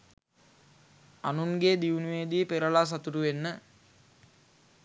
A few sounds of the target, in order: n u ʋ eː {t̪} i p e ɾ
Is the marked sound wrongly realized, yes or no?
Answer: yes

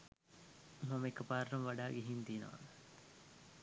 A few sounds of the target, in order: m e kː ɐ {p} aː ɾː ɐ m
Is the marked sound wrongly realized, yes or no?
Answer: no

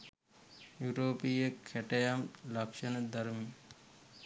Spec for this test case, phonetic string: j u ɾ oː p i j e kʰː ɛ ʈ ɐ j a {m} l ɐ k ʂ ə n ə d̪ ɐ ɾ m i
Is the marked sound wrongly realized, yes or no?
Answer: no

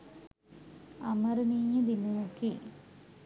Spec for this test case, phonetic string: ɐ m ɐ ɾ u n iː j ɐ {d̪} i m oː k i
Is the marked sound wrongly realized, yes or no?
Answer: no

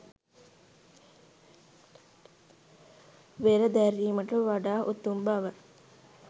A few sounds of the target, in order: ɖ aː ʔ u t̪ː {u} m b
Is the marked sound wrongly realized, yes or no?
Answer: no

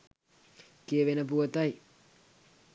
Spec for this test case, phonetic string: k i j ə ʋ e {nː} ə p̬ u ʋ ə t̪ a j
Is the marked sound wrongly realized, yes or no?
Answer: yes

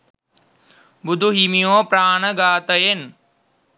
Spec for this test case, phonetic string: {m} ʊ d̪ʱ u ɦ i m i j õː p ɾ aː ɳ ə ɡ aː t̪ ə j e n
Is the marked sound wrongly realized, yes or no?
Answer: yes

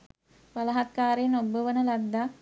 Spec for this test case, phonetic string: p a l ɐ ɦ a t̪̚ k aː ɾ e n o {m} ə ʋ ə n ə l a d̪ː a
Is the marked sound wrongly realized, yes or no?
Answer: yes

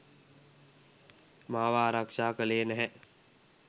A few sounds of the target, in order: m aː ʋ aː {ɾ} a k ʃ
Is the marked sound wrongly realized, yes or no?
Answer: no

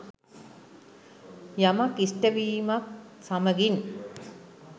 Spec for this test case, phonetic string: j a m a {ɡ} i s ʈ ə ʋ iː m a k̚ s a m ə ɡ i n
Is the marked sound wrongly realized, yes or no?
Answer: yes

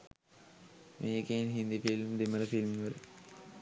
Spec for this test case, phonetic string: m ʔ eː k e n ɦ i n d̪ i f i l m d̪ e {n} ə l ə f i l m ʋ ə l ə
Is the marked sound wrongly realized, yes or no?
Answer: yes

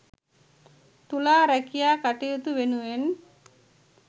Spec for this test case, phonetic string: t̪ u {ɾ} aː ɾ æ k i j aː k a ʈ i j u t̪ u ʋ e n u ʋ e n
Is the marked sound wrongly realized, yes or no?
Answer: yes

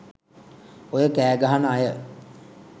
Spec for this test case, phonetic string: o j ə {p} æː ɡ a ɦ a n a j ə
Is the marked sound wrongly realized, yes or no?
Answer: yes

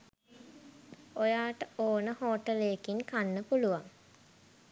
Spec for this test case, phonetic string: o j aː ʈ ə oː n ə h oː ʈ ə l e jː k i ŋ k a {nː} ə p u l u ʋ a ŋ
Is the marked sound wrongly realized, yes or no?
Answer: no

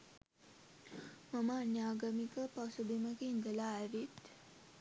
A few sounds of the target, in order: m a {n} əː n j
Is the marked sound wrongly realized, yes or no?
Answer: yes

